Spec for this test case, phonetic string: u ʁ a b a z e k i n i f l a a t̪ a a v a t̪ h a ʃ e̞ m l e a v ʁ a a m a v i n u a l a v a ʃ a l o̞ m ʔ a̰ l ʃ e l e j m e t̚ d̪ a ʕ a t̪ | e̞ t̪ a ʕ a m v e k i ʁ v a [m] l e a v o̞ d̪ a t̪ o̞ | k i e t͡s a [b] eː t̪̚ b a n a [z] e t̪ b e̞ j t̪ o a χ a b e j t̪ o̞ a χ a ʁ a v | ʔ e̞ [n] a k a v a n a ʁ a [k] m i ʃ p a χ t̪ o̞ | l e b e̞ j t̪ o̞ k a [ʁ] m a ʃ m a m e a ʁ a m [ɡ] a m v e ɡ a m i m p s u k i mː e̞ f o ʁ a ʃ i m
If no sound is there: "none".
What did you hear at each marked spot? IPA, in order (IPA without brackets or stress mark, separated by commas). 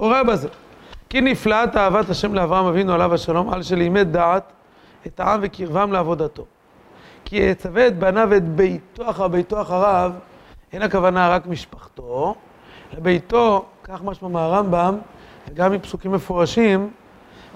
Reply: m, v, v, n, k, χ, b